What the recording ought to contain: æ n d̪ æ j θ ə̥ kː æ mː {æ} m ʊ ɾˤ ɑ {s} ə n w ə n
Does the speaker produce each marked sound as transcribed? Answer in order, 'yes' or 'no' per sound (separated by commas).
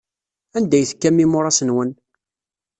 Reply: no, yes